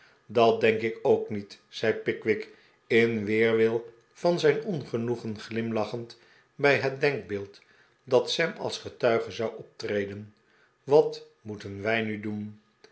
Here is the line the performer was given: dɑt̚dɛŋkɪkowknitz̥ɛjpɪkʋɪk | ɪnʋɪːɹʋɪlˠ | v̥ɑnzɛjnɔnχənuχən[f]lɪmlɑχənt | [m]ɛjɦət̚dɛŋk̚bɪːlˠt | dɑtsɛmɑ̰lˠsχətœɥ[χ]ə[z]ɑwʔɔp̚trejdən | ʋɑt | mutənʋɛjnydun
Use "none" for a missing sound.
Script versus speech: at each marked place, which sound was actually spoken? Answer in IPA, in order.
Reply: χ, b, χ, z

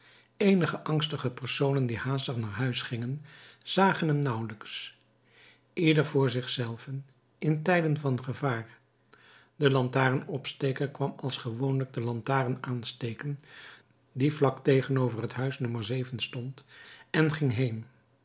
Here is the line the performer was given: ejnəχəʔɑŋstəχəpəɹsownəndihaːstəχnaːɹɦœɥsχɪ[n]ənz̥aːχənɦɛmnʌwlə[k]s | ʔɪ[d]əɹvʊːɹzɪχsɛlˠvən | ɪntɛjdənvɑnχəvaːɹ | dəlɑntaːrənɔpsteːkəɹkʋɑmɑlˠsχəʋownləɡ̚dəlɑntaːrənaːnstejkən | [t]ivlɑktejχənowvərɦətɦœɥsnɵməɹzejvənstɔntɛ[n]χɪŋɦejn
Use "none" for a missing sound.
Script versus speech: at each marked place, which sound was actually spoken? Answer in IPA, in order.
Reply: ŋ, k, d, d, n

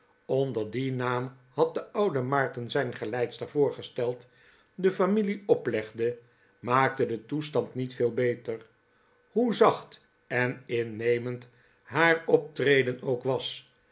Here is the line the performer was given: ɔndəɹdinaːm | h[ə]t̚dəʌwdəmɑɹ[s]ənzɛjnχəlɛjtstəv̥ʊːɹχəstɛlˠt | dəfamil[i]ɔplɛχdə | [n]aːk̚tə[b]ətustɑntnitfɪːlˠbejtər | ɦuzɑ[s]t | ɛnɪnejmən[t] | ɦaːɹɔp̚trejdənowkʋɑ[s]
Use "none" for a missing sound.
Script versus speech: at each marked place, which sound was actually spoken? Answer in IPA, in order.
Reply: ɑ, t, i, m, d, χ, t, s

